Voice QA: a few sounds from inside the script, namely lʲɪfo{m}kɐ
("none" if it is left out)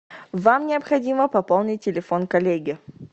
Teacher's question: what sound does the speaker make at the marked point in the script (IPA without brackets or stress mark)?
n